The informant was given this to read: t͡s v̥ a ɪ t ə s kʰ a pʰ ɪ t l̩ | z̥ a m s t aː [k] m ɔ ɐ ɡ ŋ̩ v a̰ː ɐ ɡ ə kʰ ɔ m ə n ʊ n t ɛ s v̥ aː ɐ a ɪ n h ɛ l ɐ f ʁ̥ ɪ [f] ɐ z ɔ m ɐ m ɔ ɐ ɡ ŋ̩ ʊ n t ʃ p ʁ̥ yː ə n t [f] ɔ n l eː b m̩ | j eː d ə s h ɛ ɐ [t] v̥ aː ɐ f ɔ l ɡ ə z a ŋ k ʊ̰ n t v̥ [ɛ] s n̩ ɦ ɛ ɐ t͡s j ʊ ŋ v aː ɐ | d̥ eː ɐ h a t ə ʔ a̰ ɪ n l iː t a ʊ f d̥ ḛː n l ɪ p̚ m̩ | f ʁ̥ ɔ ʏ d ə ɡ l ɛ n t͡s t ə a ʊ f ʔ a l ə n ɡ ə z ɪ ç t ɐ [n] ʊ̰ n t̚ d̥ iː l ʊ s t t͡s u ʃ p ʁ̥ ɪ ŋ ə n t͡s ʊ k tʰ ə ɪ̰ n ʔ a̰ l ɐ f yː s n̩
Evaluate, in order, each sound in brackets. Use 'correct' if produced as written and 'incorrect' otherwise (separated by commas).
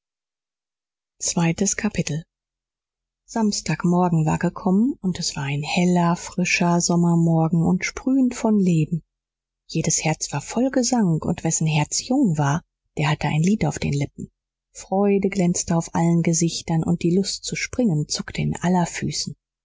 correct, incorrect, correct, incorrect, correct, correct